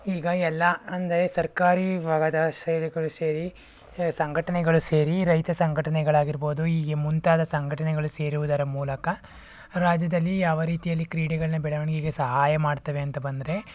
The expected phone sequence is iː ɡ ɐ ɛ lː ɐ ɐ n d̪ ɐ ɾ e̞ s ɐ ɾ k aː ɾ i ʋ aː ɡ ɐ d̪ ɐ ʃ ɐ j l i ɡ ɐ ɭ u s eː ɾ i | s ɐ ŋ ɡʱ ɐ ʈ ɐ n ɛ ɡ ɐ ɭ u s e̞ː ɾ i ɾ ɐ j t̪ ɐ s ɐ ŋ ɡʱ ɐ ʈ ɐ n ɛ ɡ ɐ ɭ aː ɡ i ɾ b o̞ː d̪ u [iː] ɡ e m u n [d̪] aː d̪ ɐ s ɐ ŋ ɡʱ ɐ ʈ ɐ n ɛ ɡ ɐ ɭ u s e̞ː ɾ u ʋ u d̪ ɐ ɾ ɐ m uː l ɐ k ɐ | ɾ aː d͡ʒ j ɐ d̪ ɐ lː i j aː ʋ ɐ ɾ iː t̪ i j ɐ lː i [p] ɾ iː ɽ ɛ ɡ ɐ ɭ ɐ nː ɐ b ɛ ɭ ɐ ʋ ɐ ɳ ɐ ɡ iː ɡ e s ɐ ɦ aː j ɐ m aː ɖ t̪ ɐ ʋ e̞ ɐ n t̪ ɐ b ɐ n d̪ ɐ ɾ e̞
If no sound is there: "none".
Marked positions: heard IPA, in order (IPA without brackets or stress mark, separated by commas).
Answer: iː, t̪, k